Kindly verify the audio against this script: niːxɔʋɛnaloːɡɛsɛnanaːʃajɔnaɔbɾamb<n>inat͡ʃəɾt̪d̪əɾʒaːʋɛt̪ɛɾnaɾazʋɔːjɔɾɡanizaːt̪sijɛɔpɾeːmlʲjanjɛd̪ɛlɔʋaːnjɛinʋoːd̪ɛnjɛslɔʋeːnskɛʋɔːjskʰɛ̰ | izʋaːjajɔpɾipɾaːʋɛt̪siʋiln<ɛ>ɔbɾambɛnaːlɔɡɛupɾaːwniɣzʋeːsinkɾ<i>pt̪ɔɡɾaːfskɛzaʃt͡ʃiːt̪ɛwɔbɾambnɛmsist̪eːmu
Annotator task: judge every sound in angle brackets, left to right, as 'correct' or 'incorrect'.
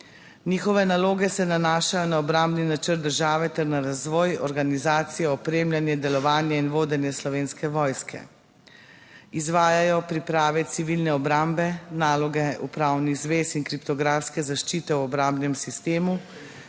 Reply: correct, correct, correct

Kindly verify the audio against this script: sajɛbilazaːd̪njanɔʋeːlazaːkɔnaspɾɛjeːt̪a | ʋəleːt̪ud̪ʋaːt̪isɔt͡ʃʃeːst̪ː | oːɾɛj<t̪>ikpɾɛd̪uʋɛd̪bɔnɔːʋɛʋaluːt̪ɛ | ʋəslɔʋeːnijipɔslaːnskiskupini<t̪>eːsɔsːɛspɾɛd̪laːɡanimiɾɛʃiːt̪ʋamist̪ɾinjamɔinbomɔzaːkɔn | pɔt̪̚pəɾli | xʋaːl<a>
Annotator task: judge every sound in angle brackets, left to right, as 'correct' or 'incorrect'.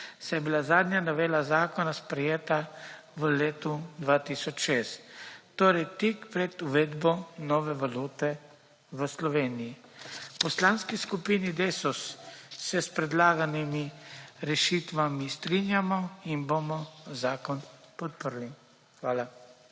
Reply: correct, incorrect, correct

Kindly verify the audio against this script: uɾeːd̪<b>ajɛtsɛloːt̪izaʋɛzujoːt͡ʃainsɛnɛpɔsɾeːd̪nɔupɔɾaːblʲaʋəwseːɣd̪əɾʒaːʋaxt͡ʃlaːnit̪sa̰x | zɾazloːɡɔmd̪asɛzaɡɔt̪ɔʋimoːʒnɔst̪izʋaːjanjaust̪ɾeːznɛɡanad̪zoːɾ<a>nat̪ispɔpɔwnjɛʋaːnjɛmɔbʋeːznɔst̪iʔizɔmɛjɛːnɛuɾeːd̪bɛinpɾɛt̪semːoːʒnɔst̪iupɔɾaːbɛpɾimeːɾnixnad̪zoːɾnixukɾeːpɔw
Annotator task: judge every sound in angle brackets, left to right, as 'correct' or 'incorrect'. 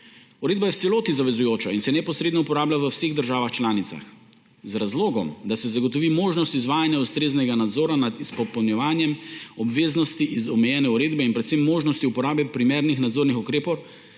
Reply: correct, correct

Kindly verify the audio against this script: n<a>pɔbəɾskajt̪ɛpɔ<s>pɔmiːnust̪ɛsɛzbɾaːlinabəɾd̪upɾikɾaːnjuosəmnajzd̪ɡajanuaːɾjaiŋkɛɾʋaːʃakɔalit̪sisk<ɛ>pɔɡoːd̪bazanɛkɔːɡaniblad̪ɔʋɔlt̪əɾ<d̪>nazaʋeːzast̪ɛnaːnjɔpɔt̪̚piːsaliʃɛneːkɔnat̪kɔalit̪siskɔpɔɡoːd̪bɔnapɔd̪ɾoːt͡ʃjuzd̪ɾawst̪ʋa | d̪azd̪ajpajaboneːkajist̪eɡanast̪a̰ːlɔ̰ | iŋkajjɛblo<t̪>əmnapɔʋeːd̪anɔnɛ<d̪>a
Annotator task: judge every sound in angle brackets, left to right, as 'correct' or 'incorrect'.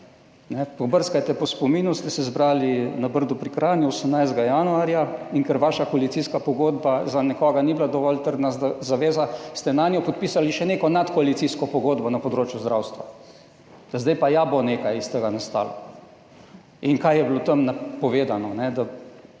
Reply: incorrect, correct, incorrect, correct, correct, correct

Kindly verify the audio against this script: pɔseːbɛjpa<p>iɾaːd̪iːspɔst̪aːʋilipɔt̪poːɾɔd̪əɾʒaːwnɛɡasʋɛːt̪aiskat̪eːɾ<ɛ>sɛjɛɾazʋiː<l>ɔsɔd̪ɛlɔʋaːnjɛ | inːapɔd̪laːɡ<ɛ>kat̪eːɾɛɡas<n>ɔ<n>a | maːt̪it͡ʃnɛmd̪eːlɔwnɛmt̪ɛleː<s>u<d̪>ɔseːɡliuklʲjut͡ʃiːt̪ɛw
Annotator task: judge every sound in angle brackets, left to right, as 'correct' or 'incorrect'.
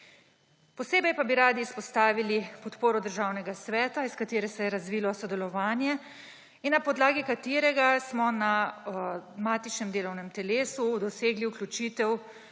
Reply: incorrect, correct, correct, incorrect, incorrect, correct, correct, correct

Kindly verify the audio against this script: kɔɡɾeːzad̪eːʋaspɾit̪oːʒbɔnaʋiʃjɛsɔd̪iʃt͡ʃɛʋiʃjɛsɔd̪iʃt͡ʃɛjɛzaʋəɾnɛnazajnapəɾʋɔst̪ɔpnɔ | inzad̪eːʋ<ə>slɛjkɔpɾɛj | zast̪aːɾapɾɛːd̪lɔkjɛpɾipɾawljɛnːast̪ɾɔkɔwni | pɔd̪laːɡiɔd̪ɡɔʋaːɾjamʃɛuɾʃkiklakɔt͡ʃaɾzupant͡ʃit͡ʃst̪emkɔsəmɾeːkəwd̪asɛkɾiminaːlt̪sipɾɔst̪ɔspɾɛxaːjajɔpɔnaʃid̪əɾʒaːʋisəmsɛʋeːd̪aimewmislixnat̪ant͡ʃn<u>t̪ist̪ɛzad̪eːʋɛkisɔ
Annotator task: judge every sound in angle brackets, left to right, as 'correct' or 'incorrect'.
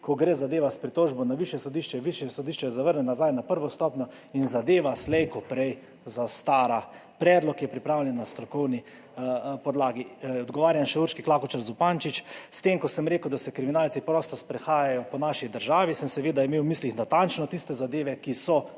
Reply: incorrect, incorrect

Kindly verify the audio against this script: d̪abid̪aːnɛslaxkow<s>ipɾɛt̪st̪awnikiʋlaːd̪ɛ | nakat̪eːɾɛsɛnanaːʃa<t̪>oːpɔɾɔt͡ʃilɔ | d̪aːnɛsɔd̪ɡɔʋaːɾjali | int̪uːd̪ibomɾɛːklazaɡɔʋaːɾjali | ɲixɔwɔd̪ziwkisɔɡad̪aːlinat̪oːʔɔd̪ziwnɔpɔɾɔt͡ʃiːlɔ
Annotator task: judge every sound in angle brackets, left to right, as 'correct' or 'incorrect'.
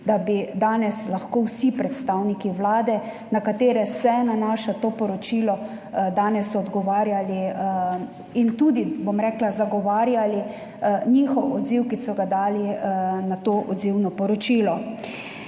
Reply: correct, correct

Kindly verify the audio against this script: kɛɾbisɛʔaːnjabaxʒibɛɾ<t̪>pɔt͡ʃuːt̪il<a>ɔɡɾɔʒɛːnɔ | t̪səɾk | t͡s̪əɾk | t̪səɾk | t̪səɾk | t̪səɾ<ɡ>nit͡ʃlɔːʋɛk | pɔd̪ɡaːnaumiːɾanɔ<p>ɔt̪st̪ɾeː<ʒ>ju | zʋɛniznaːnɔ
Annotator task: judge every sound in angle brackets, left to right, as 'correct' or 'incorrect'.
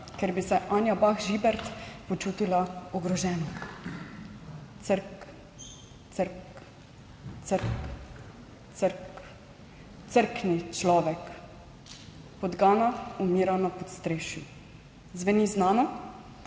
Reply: correct, correct, incorrect, correct, incorrect

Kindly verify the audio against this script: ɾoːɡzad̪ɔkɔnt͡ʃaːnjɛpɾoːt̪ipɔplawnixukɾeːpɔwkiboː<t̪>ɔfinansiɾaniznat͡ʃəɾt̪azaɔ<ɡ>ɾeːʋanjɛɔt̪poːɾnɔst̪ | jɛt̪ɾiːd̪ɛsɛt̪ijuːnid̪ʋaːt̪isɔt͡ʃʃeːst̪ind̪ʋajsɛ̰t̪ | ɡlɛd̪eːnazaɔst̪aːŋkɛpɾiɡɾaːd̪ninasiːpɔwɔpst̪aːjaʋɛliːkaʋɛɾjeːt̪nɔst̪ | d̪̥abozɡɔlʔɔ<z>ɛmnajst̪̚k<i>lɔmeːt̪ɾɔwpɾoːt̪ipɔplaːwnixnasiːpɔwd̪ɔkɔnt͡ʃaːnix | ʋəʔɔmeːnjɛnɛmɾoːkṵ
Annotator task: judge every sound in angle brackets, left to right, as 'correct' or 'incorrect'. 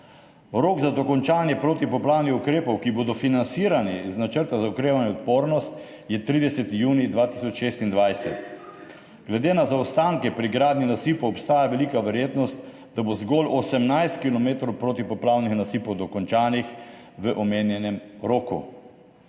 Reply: incorrect, incorrect, incorrect, correct

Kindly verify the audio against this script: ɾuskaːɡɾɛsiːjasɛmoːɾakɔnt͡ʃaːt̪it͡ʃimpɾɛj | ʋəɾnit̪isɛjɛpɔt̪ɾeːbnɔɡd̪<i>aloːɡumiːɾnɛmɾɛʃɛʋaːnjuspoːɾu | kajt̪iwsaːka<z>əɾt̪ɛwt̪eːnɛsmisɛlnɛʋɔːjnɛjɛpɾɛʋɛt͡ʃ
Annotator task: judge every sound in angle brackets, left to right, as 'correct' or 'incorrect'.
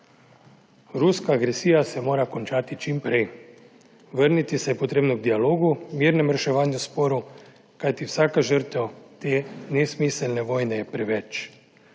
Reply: correct, incorrect

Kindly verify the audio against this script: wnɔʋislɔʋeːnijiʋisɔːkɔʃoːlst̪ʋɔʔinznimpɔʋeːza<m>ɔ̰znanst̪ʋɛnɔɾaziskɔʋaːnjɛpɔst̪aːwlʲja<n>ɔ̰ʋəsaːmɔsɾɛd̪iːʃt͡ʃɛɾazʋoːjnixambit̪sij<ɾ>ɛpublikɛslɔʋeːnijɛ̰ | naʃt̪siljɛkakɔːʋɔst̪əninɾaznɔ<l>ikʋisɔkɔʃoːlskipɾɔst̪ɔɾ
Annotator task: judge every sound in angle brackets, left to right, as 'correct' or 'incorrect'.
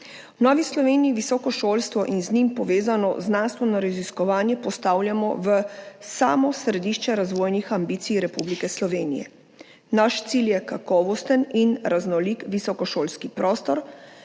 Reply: incorrect, incorrect, correct, correct

